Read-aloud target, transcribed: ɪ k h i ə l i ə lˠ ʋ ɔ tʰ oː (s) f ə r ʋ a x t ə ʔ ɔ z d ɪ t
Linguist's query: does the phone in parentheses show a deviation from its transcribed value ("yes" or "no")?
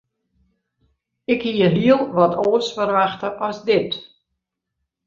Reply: no